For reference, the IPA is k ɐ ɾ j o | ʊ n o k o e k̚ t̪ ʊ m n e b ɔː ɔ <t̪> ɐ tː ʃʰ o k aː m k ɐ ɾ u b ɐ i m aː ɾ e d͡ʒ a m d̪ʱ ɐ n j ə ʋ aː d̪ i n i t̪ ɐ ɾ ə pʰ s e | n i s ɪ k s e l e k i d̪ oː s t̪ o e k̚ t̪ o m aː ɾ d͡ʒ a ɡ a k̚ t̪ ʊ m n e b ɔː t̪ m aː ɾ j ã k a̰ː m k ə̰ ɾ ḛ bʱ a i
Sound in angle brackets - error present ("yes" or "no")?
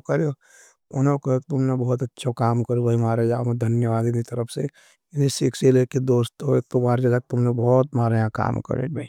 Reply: no